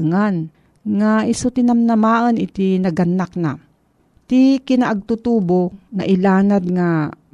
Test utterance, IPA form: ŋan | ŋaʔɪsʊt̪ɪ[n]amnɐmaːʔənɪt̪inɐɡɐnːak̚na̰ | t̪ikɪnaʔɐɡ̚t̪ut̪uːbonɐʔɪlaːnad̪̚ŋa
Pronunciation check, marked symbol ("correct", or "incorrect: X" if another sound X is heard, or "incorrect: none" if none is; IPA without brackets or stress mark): correct